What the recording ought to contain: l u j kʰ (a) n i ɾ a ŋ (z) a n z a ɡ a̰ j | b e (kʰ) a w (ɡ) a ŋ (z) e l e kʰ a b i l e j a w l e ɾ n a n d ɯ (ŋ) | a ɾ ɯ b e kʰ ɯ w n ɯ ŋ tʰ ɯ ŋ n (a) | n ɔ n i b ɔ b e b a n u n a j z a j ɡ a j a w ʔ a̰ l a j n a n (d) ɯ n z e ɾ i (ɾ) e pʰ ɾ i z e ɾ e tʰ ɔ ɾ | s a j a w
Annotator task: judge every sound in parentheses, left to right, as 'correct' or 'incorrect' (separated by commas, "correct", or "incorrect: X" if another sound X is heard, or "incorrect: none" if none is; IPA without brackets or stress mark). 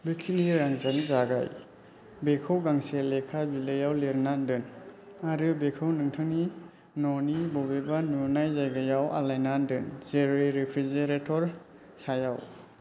incorrect: i, correct, correct, correct, incorrect: s, incorrect: n, incorrect: i, correct, correct